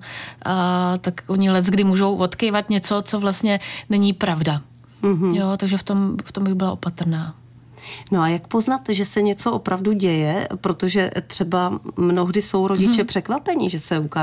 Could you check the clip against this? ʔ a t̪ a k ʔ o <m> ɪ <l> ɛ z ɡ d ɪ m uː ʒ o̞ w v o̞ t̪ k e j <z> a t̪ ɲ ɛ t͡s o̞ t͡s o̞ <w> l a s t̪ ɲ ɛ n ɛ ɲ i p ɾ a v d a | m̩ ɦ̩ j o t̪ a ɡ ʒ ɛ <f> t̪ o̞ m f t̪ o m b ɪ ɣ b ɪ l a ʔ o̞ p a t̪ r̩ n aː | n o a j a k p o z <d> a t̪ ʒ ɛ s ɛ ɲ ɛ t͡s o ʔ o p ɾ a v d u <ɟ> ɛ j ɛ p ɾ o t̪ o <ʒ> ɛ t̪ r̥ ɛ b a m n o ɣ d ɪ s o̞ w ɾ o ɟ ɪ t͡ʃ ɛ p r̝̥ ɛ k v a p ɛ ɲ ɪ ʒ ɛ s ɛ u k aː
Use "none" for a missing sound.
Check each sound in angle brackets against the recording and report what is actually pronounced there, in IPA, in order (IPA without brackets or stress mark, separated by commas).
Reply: ɲ, l, v, v, f, n, ɟ, ʒ